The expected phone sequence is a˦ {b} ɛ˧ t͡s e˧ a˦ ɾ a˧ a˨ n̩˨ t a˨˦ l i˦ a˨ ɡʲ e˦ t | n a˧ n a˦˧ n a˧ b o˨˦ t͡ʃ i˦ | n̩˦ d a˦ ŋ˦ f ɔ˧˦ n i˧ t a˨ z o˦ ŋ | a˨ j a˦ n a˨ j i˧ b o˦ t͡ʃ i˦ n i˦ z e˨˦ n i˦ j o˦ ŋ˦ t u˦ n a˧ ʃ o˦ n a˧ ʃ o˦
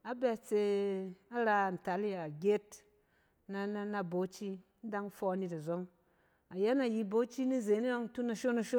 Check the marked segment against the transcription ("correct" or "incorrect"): correct